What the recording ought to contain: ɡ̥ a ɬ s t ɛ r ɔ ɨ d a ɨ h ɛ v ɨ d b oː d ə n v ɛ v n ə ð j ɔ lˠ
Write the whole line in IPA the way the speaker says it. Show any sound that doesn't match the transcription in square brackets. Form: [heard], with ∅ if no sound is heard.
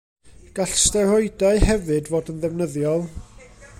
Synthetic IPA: ɡ̥ a ɬ s t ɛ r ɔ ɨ d a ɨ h ɛ v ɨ d [v] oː d ə n [ð] ɛ v n ə ð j ɔ lˠ

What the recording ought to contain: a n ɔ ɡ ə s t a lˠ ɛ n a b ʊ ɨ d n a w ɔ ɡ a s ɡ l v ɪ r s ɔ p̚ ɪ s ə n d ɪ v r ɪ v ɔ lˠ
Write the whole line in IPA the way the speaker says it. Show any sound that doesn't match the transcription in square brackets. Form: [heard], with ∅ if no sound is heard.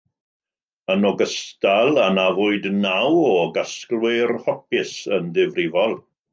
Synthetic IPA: [ə] n ɔ ɡ ə s t a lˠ [a] n a [v] ʊ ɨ d n a w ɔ ɡ a s [k] l [w] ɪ r [h] ɔ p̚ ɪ s ə n d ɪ v r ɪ v ɔ lˠ

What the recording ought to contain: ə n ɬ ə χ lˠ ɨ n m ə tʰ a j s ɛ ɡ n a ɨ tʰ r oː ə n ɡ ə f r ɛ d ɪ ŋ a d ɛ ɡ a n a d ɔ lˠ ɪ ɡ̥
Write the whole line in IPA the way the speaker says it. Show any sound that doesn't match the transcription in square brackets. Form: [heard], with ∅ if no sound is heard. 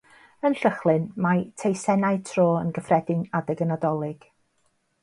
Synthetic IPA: ə n ɬ ə χ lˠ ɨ n m [a] tʰ [e] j s ɛ [∅] n a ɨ tʰ r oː ə n ɡ ə f r ɛ d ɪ ŋ a d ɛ ɡ [ə] n a d ɔ lˠ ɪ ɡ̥

